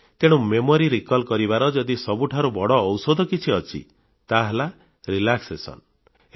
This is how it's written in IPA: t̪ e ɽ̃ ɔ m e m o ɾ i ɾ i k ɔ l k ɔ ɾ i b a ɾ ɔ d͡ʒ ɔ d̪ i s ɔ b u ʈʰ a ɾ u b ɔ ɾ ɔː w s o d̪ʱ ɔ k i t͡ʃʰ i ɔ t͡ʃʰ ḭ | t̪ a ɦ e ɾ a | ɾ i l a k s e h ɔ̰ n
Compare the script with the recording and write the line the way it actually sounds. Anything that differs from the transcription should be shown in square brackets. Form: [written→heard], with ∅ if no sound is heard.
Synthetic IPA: t̪ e ɽ̃ [ɔ→u] m e m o ɾ i ɾ i k ɔ l k ɔ ɾ i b a ɾ ɔ d͡ʒ ɔ d̪ i s ɔ b u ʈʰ a ɾ u b ɔ [ɾ→ɽ] ɔː w s o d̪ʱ ɔ k i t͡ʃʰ i ɔ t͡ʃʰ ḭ | t̪ a ɦ e [ɾ→l] a | ɾ i l a k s e [h→s] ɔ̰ n